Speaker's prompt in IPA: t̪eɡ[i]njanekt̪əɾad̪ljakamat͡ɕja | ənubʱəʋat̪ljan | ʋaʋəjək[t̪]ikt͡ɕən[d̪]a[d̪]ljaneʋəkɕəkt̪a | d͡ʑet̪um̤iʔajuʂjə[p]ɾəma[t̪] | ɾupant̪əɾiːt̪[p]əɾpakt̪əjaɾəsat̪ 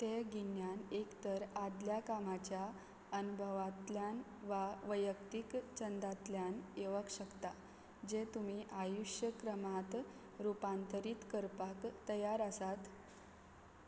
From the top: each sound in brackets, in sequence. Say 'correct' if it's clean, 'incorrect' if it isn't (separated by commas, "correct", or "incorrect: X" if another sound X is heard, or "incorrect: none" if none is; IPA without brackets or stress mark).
correct, correct, correct, incorrect: t̪, incorrect: k, correct, incorrect: k